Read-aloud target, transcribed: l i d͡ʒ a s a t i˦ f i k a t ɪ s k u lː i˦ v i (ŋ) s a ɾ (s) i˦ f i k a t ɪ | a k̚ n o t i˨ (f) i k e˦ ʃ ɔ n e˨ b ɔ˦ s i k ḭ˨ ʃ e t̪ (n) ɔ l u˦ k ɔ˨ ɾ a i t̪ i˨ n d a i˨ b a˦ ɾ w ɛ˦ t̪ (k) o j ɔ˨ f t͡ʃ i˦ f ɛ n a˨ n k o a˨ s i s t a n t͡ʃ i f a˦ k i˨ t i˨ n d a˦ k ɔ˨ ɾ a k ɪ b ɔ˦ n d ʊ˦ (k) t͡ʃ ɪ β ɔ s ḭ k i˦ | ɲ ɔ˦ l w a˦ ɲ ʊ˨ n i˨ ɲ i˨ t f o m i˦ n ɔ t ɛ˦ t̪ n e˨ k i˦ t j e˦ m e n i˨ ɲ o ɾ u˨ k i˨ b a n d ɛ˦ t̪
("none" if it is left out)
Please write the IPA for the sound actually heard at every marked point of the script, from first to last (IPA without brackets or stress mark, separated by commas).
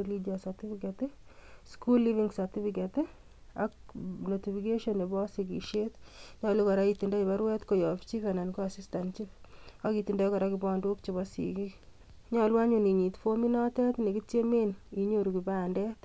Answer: ŋ, t, f, ɲ, k, k